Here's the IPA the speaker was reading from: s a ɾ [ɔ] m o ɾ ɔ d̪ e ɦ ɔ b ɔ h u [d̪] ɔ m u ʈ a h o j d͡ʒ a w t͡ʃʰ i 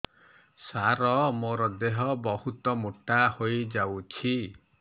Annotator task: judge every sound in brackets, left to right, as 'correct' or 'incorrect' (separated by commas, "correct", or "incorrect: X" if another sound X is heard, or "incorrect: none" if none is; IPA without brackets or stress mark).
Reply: correct, incorrect: t̪